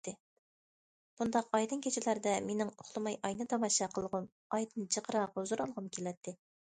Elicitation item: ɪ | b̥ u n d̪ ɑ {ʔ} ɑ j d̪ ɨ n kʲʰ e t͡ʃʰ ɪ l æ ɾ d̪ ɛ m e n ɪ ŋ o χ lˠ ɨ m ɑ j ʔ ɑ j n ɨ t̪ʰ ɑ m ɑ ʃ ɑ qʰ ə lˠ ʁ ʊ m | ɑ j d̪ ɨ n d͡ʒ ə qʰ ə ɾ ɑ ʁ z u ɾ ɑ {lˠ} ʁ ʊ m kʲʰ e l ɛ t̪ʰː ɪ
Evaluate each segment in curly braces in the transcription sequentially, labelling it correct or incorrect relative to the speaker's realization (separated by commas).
incorrect, correct